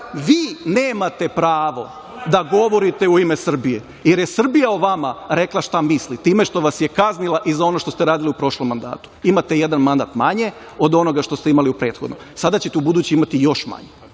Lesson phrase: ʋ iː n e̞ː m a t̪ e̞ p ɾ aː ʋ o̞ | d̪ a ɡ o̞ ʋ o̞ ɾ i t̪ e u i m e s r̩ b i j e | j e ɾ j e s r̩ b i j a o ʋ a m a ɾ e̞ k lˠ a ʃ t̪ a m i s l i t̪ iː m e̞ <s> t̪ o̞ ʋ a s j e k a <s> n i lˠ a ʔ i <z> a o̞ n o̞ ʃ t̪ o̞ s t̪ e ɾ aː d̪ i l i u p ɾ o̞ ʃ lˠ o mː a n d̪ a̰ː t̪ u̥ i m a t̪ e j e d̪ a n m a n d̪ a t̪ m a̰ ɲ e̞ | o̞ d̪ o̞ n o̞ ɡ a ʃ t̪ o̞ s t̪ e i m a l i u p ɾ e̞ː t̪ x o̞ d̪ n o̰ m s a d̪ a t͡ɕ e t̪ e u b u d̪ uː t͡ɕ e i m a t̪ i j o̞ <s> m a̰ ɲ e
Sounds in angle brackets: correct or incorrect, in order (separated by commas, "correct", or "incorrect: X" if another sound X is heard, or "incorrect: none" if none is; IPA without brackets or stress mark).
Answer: incorrect: ʃ, incorrect: z, correct, incorrect: ʃ